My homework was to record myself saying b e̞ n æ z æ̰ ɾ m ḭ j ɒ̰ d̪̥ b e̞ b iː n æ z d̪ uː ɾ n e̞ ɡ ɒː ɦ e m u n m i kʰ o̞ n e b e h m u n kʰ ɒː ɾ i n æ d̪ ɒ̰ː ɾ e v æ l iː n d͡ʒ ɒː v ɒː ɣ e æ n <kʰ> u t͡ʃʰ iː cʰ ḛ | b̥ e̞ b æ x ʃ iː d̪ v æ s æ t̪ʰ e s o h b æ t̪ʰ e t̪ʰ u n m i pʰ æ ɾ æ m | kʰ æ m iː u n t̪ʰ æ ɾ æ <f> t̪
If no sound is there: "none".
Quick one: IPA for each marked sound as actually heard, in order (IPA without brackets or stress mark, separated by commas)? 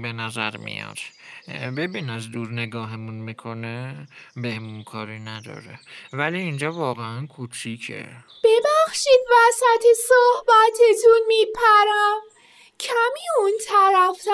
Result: kʰ, f